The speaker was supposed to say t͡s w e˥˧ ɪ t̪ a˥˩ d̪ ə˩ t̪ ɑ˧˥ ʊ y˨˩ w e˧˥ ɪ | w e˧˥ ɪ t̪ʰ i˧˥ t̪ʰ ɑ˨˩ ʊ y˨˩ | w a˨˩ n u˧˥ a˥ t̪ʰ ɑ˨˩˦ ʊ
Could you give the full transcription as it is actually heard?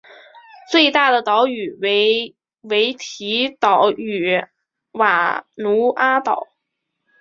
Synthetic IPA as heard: t͡s w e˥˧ ɪ t̪ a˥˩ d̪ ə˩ t̪ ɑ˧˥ ʊ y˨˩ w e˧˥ ɪ | w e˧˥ ɪ t̪ʰ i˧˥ t̪ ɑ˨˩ ʊ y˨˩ | w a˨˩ n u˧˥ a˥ t̪ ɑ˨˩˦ ʊ